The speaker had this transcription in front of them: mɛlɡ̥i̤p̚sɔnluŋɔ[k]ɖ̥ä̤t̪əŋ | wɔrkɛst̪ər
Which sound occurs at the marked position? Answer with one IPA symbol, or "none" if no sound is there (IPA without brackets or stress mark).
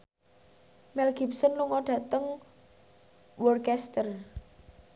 none